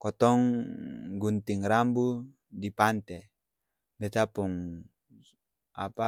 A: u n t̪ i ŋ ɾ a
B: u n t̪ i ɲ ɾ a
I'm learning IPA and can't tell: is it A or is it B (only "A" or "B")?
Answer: A